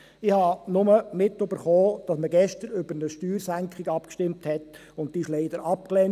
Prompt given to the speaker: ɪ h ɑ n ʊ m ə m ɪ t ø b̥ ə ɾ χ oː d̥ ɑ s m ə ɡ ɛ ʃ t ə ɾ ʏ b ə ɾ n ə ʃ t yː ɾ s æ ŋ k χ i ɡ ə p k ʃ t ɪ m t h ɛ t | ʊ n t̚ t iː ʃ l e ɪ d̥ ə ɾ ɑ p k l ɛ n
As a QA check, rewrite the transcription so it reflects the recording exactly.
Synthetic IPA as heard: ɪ h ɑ n ʊ m ə m ɪ t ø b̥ ə ɾ χ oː d̥ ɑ s m ə ɡ ɛ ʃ t ə ɾ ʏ b ə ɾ n ə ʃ t yː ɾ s æ ŋ k χ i ɡ ɑ p k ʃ t ɪ m t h ɛ t | ʊ n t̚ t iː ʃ l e ɪ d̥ ə ɾ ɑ p k l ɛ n